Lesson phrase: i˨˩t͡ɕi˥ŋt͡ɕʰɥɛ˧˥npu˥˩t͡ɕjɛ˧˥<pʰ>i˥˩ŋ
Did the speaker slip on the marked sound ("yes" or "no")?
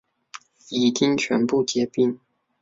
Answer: yes